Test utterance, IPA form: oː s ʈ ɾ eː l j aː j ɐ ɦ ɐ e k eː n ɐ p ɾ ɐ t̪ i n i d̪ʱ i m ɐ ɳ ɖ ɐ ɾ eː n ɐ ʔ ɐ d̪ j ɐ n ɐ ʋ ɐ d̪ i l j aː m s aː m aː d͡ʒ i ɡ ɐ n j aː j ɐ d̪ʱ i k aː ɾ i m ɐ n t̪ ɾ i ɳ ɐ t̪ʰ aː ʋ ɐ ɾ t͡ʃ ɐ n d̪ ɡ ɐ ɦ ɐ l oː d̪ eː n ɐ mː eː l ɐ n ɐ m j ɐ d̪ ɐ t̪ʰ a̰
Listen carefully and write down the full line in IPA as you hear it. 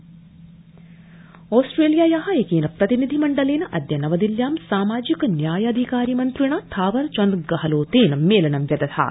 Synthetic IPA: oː s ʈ ɾ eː l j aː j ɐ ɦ ɐ e k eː n ɐ p ɾ ɐ t̪ i n i d̪ʱ i m ɐ ɳ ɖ ɐ l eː n ɐ ʔ ɐ d̪ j ɐ n ɐ ʋ ɐ d̪ i l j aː m s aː m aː d͡ʒ i k ɐ n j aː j ɐ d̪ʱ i k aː ɾ i m ɐ n t̪ ɾ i ɳ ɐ t̪ʰ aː ʋ ɐ ɾ t͡ʃ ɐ n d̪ ɡ ɐ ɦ ɐ l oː t̪ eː n ɐ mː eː l ɐ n ɐ m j ɐ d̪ ɐ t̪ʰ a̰